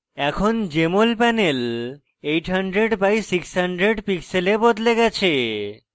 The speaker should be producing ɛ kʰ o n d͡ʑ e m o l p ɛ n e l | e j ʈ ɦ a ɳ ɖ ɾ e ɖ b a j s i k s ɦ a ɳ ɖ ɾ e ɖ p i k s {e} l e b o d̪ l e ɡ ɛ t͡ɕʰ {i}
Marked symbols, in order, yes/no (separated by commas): yes, no